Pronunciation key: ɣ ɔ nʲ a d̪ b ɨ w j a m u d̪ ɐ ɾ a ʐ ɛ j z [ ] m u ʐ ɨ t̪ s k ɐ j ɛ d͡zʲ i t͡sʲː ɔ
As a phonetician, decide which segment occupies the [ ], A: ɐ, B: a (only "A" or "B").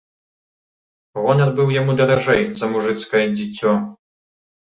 A